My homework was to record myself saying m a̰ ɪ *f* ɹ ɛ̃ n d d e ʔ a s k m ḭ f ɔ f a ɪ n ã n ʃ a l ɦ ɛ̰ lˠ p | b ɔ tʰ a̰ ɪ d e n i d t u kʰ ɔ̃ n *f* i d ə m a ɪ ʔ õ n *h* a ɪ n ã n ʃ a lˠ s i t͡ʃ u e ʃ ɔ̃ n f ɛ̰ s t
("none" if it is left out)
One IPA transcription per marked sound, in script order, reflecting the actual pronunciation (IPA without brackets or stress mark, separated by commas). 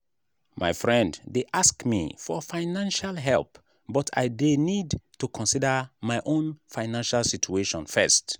f, s, f